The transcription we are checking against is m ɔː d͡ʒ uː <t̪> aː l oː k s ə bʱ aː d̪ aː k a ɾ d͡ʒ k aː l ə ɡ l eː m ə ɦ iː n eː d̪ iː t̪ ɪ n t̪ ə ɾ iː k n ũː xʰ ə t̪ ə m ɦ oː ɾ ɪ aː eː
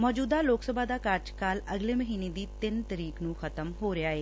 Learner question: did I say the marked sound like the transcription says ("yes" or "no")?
no